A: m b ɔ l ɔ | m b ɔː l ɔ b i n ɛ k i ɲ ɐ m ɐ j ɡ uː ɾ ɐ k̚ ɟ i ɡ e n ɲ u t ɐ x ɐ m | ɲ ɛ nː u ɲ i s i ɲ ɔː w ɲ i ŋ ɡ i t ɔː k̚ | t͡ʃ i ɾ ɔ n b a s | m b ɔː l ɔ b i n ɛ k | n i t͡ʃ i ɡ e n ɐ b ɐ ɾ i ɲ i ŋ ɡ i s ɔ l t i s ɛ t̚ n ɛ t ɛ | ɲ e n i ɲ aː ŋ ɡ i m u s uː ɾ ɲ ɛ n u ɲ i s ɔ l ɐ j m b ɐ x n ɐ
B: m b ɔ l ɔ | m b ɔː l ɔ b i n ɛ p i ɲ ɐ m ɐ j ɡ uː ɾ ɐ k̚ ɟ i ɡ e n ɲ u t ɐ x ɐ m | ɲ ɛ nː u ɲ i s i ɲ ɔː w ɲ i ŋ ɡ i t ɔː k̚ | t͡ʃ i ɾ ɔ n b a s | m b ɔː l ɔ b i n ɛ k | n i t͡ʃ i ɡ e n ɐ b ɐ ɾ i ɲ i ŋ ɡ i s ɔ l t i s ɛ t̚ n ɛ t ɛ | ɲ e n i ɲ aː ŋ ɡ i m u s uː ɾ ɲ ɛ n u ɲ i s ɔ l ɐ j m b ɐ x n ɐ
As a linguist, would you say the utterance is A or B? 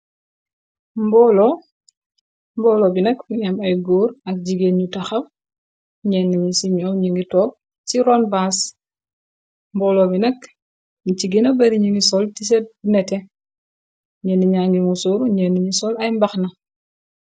A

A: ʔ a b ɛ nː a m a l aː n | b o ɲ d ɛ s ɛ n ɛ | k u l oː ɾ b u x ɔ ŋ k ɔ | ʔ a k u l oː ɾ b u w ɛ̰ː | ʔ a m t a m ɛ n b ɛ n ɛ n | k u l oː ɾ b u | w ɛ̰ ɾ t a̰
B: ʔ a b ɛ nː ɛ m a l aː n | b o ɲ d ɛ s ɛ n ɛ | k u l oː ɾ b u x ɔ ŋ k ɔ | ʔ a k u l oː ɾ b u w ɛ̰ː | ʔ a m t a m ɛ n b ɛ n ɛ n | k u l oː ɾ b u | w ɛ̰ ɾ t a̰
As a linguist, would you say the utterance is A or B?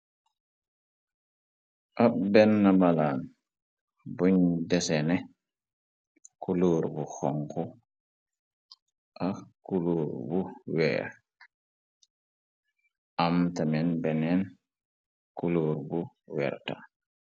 A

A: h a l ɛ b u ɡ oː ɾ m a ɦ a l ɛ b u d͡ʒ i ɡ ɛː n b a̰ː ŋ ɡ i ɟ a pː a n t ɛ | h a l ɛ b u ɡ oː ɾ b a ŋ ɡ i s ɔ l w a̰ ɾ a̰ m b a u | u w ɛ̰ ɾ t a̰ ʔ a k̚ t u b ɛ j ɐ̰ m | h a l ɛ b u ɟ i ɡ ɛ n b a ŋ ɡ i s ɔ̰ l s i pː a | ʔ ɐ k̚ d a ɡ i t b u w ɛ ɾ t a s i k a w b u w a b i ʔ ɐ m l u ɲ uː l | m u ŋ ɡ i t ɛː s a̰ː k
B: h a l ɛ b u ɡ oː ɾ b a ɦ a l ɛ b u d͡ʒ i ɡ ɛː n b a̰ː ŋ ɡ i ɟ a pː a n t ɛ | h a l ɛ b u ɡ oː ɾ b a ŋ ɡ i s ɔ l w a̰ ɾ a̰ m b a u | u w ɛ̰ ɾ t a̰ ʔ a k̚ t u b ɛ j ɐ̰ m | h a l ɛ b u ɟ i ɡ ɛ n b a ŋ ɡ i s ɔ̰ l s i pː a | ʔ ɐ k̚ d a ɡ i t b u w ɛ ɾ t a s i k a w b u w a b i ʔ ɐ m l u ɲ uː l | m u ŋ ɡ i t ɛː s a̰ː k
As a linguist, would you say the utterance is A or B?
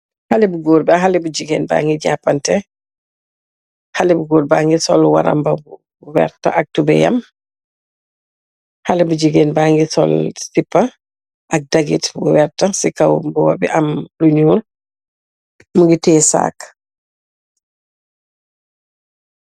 B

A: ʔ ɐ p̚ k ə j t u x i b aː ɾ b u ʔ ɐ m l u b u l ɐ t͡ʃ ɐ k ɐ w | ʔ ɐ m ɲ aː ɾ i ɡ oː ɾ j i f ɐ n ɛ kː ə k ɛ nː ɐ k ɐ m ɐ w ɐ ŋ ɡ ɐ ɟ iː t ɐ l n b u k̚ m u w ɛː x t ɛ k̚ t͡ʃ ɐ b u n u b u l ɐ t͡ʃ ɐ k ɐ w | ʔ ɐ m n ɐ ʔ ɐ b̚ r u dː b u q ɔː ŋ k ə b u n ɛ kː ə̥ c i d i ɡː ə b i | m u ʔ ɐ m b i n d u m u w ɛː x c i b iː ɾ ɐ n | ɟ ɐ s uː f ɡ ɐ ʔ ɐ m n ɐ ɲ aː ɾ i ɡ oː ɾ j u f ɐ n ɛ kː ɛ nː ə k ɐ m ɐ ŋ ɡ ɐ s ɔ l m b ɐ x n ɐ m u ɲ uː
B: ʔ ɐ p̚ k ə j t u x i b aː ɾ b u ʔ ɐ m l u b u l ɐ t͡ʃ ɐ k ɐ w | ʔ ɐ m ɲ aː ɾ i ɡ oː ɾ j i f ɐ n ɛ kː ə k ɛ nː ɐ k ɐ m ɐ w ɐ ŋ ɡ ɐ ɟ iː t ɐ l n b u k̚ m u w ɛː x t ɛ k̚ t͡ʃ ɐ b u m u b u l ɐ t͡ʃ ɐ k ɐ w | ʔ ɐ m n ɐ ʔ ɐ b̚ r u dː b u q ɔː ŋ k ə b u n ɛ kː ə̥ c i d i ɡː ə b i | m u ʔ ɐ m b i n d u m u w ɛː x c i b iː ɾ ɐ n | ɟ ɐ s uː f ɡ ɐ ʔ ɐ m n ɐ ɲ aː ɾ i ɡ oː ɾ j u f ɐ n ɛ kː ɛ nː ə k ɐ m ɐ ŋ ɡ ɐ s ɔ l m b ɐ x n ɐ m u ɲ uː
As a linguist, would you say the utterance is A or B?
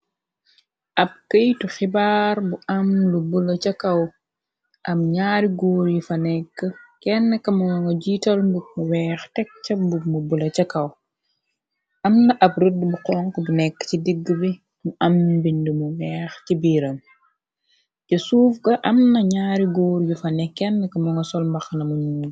B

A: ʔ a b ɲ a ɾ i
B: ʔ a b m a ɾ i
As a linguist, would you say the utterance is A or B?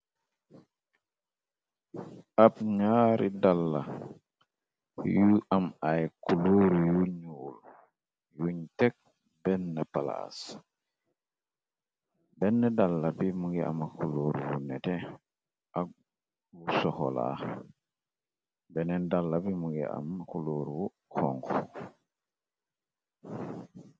A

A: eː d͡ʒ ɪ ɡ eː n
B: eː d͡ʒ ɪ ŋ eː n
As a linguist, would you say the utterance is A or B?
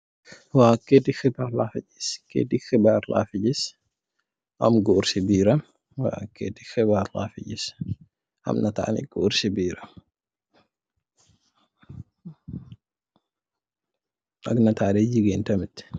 A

